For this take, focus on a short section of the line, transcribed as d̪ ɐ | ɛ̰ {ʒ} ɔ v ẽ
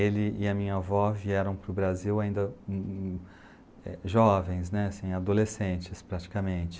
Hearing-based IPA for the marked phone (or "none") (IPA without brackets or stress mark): ʒ